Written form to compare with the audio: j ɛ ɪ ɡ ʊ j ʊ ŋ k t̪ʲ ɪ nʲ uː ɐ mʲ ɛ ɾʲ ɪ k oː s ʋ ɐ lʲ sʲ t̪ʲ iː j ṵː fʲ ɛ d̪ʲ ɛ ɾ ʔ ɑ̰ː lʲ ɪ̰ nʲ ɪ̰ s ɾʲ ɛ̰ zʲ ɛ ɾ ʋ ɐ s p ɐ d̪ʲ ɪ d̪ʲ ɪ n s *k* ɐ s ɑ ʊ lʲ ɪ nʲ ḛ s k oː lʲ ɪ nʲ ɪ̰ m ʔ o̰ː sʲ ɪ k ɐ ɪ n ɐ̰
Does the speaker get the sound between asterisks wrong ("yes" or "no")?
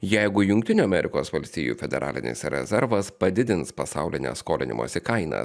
yes